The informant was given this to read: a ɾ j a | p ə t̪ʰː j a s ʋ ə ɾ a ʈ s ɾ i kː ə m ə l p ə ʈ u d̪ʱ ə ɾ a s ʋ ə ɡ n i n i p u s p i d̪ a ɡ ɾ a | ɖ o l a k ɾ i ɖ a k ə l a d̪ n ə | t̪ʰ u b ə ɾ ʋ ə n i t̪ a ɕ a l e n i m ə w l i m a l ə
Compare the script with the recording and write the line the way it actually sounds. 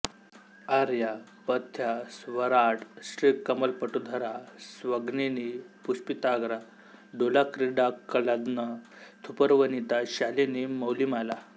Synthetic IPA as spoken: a ɾ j a | p ə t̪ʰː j a s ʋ ə ɾ a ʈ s ɾ i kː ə m ə l p ə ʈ u d̪ʱ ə ɾ a s ʋ ə ɡ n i n i p u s p i t̪ a ɡ ɾ a | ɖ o l a k ɾ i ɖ a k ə l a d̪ n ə | t̪ʰ u p ə ɾ ʋ ə n i t̪ a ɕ a l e n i m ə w l i m a l a